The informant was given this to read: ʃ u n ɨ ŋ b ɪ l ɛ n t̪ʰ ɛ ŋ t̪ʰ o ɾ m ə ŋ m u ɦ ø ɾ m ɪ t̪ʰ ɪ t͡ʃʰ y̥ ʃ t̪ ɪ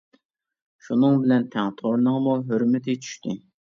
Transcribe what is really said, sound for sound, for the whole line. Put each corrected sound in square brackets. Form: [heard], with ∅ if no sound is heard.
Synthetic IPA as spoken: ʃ u n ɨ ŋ b ɪ l ɛ n t̪ʰ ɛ ŋ t̪ʰ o ɾ [n] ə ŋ m u ɦ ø ɾ m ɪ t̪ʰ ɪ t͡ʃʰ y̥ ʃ t̪ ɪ